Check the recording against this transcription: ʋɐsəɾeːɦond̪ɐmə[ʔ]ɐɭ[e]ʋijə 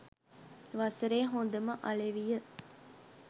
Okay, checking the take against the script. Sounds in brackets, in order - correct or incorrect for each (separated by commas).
correct, correct